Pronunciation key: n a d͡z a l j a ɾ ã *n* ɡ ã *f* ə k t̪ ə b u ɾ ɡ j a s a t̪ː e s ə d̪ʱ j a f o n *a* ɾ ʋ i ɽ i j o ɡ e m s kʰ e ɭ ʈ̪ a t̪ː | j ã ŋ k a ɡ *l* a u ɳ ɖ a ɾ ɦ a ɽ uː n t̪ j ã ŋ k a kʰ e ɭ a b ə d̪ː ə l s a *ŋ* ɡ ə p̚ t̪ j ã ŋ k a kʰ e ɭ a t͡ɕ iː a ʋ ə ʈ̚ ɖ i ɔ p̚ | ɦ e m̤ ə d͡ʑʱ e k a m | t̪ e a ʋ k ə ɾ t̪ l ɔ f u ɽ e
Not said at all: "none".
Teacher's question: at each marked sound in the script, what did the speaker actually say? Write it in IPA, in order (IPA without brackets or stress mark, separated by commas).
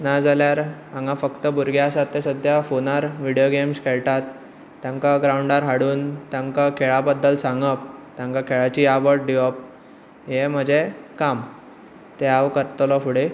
ŋ, f, a, ɾ, ŋ